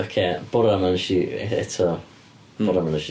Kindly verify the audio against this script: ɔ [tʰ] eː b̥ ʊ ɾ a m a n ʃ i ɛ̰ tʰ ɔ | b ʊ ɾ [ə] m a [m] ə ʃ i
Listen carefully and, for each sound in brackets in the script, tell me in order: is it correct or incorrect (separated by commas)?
incorrect, incorrect, incorrect